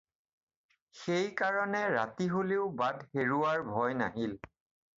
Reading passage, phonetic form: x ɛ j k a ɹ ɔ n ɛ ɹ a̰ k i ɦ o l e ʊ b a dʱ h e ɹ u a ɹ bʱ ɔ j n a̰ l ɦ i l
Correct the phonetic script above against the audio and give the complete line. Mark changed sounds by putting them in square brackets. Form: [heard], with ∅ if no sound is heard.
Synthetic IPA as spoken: x [e] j k a ɹ ɔ n ɛ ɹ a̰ [t] i ɦ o l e ʊ b a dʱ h e ɹ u a ɹ bʱ ɔ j n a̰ [∅] ɦ i l